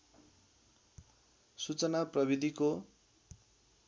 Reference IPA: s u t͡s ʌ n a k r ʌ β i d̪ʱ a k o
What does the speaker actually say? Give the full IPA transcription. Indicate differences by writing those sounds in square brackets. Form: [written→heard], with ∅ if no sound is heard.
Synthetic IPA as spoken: s u t͡s ʌ n a [k→p] r ʌ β i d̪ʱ [a→i] k o